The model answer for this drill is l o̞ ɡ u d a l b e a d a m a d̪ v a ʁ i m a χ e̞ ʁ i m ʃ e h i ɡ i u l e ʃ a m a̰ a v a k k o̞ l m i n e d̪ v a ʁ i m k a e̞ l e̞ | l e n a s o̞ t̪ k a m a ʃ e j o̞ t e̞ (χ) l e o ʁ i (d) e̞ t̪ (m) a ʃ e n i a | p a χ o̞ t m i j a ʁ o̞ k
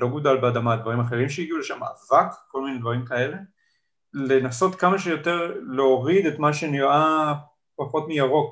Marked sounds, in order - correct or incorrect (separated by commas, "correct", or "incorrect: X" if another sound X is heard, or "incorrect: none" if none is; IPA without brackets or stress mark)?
incorrect: ʁ, correct, correct